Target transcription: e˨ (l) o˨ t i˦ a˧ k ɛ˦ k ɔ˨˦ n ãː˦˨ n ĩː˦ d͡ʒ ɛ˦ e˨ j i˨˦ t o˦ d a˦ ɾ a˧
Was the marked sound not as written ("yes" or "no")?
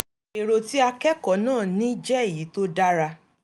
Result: yes